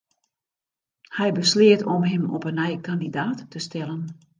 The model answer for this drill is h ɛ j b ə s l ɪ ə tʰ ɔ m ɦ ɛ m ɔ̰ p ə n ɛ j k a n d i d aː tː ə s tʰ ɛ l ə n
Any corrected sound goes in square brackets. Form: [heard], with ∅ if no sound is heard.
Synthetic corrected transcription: h ɛ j b ə s l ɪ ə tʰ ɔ m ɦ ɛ m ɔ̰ p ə n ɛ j k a n d i d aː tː ə s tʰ ɛ l ə n